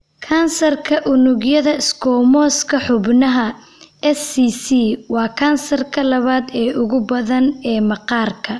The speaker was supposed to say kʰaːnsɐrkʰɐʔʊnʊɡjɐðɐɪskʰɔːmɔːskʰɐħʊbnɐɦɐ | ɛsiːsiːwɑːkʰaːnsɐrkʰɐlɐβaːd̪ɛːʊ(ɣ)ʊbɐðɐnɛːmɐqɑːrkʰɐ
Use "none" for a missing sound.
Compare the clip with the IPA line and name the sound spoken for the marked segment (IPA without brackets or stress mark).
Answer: ɣ